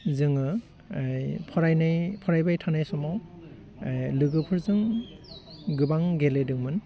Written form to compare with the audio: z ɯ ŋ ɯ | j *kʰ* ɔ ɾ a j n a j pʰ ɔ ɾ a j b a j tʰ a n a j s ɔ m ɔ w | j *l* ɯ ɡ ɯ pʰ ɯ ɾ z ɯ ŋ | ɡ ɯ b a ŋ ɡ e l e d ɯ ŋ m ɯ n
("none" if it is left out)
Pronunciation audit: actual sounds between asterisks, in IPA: pʰ, l

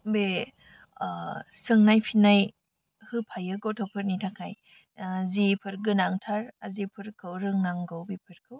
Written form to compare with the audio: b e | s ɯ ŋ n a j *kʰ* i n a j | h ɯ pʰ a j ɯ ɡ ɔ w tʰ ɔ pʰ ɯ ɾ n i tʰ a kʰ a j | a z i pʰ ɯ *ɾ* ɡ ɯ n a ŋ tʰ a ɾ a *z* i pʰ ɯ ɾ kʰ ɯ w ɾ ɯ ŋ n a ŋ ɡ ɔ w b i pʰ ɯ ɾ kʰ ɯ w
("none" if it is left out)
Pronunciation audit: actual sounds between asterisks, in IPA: pʰ, ɾ, z

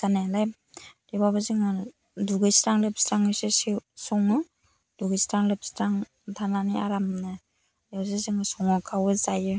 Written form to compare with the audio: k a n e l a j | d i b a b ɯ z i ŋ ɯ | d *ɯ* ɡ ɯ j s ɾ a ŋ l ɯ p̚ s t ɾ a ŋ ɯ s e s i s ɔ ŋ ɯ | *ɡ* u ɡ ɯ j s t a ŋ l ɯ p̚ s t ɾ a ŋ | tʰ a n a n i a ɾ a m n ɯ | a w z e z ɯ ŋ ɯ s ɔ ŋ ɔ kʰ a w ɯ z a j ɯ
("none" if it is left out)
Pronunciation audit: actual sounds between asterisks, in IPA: u, d

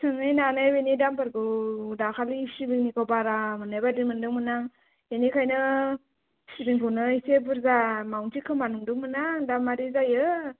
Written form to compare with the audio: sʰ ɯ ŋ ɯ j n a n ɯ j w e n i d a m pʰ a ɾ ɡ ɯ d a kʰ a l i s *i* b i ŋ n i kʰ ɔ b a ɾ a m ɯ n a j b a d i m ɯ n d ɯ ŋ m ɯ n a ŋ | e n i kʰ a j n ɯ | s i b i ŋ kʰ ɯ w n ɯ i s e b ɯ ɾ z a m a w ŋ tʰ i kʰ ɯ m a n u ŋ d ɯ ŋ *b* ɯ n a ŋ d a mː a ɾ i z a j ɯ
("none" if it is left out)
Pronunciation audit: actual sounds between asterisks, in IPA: i, m

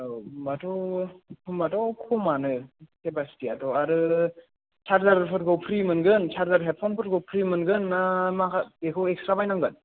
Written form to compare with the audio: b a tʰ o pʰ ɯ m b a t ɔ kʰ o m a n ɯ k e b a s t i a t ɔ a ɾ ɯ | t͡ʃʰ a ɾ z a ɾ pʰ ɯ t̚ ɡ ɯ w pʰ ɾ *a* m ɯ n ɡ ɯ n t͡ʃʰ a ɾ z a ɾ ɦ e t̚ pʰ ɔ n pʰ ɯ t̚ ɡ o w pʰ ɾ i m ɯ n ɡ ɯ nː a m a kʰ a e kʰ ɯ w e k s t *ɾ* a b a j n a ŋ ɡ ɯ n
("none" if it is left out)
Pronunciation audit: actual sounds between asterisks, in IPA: i, ɾ

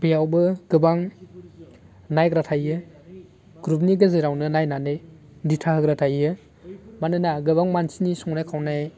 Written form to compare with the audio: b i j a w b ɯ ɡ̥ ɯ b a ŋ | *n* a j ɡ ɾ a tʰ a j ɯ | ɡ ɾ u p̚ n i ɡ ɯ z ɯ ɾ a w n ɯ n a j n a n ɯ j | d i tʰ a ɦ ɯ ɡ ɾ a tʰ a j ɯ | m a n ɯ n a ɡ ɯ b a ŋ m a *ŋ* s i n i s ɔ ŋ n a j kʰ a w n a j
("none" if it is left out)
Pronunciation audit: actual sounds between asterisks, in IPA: n, n

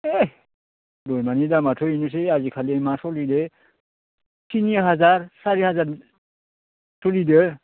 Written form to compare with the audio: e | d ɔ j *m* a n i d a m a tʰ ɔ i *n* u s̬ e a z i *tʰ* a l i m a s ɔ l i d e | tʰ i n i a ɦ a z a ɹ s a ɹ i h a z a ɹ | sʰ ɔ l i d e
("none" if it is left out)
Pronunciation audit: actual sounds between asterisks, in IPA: m, n, kʰ

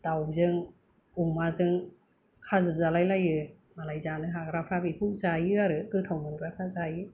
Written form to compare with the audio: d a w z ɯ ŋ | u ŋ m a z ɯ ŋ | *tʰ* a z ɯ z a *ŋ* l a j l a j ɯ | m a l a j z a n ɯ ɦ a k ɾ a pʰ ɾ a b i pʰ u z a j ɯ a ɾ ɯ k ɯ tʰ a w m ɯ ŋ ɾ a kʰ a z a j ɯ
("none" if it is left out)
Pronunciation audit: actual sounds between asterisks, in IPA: kʰ, none

